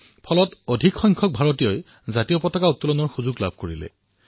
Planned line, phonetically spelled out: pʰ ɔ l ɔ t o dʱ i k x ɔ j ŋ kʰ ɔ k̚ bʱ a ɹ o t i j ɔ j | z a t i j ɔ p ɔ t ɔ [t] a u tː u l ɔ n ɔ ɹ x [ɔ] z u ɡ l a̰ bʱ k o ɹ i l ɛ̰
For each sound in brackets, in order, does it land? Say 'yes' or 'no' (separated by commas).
no, no